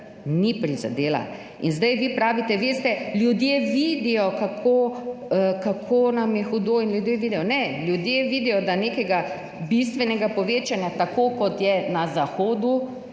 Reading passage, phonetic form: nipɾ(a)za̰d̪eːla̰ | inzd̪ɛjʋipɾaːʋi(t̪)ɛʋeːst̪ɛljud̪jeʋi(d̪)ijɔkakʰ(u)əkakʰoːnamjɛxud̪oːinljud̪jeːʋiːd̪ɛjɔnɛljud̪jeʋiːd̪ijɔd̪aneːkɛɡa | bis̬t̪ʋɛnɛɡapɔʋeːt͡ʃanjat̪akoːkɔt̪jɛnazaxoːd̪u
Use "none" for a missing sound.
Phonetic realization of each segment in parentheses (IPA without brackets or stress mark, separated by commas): i, t̪, d̪, o